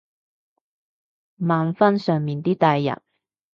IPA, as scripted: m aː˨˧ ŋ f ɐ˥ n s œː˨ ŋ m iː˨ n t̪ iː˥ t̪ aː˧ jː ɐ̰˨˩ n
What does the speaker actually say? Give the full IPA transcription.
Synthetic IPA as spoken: m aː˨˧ n f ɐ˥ n s œː˨ ŋ m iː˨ n t̪ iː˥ t̪ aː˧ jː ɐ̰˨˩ n